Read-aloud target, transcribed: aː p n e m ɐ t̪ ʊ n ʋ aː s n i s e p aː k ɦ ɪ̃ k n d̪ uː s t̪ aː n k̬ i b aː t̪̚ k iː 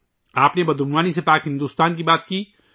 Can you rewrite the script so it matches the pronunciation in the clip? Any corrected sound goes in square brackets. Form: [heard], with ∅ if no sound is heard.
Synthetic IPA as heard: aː p n e [b] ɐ [d̪] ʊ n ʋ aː [∅] n i s e p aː k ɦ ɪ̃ [∅] n d̪ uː s t̪ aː n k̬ i b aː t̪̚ k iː

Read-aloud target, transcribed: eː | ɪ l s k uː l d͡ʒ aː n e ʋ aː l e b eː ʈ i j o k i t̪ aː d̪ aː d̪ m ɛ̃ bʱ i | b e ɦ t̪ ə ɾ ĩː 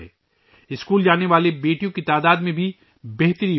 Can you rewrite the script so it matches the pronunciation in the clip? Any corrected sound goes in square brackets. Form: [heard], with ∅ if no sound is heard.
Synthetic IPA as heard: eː | ɪ [∅] s k uː l d͡ʒ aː n e ʋ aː l e b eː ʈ i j [õ] k i t̪ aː d̪ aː d̪ m [ẽ] bʱ i | b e ɦ t̪ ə ɾ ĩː

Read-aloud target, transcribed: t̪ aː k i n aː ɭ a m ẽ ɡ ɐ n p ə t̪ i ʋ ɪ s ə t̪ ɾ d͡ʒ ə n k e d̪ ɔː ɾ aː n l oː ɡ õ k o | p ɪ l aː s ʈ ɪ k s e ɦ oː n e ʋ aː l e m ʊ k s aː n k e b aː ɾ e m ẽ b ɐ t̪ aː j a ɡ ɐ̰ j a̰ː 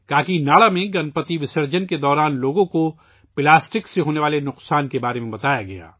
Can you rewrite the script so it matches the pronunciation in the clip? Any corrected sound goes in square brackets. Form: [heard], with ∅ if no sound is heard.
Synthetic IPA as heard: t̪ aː k i n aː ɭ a m ẽ ɡ ɐ n p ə t̪ i ʋ ɪ s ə [∅] ɾ d͡ʒ ə n k e d̪ ɔː ɾ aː n l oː ɡ õ k o | p ɪ l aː s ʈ ɪ k s e ɦ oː n e ʋ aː l e [n] ʊ [q] s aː n k e b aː ɾ e m ẽ b ɐ t̪ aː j a ɡ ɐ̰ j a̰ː

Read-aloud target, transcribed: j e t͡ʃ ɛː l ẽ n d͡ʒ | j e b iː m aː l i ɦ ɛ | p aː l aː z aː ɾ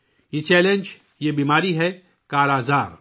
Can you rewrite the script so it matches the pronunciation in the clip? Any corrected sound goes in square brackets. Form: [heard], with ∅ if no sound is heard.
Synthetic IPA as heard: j e t͡ʃ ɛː l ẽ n d͡ʒ | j e b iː m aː [ɾ] i ɦ ɛ | [k] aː [ɾ] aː z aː ɾ

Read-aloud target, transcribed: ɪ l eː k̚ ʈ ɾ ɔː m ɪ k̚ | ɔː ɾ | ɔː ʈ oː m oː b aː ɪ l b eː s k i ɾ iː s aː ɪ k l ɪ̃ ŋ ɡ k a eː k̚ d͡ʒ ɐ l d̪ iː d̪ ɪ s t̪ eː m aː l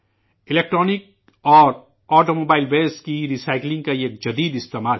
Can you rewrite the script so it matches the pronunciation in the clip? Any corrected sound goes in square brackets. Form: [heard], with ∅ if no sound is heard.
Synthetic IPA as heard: ɪ l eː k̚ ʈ ɾ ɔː [n] ɪ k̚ | ɔː ɾ | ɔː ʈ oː m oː b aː ɪ l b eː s k i ɾ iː s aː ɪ k l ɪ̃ ŋ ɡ k a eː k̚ d͡ʒ ɐ [∅] d̪ iː d̪ ɪ s t̪ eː m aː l

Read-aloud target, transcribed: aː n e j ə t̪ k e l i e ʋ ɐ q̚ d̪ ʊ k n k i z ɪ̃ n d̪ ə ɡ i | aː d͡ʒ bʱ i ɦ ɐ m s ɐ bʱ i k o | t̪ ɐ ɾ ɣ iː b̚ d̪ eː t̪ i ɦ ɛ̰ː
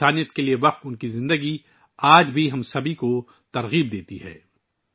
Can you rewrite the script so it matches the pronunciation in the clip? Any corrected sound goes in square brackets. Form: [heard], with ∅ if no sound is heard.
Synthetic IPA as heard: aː n [i] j ə t̪ k e l i e ʋ ɐ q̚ [t̪] ʊ [∅] n k i z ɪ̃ n d̪ ə ɡ i | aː d͡ʒ bʱ i ɦ ɐ m s ɐ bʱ i k o | t̪ ɐ ɾ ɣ iː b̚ d̪ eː t̪ i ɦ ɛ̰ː

